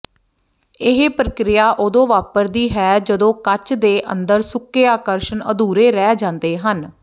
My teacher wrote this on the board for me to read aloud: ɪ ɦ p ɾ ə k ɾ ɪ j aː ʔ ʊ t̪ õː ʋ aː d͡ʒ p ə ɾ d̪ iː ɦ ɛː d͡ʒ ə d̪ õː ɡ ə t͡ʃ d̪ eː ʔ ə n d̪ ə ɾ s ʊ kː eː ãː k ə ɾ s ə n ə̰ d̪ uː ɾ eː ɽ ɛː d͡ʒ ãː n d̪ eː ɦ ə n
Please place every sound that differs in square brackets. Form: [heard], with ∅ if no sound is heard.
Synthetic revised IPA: ɪ ɦ p ɾ ə k ɾ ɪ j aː ʔ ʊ [d̪] õː ʋ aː [∅] p ə ɾ d̪ iː ɦ ɛː d͡ʒ ə d̪ õː [k] ə t͡ʃ d̪ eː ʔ ə n d̪ ə ɾ s ʊ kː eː [aː] k ə ɾ [ʃ] ə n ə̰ d̪ uː ɾ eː [ɾ] ɛː d͡ʒ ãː n d̪ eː ɦ ə n